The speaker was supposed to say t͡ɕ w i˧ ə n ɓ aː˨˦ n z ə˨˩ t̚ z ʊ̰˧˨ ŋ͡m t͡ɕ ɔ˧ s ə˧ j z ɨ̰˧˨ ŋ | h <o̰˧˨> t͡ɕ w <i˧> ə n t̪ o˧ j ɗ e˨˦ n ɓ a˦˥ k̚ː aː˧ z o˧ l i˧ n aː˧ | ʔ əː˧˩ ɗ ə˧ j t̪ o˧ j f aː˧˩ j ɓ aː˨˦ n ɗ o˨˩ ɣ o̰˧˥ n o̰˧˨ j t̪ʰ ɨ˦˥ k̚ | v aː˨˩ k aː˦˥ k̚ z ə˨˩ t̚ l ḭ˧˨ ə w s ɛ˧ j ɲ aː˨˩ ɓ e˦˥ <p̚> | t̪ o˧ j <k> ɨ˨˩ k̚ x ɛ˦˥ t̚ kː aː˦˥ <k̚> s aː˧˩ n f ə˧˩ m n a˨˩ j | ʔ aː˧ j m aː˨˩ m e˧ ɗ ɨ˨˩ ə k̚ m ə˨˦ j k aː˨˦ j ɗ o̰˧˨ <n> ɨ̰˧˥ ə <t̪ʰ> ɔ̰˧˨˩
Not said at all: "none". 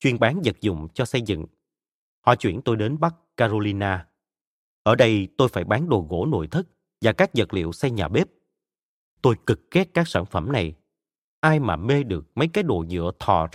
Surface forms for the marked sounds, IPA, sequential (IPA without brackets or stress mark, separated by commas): ɔ̰˧˨, i˧˩, p̚, k, k̚, ɲ, t̪ʰ